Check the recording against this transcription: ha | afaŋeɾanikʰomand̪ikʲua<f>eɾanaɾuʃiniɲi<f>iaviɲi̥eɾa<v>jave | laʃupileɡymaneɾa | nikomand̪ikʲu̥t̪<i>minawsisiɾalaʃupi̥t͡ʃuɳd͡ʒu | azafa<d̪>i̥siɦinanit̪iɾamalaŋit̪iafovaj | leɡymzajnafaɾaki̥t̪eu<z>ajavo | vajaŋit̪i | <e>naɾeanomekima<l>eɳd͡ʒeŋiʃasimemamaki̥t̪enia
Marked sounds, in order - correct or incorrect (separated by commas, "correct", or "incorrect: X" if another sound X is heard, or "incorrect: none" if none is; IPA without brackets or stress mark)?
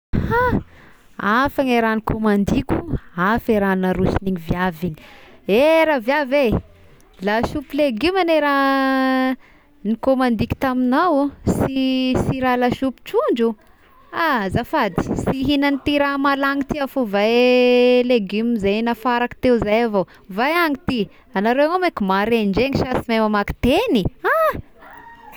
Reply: correct, incorrect: v, correct, incorrect: a, correct, correct, incorrect: a, incorrect: ɾ